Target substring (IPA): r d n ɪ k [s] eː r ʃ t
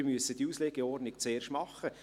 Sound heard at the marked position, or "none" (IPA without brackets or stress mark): t͡s